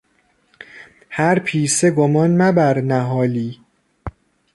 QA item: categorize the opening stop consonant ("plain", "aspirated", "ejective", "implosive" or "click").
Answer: aspirated